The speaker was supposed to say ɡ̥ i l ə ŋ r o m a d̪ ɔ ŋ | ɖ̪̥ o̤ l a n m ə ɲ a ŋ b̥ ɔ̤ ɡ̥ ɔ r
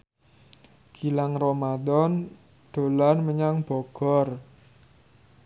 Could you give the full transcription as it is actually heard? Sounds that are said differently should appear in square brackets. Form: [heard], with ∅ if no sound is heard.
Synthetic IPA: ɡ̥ i l [a] ŋ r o m a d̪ ɔ [n] | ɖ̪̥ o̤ l a n m ə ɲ a ŋ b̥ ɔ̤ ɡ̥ ɔ r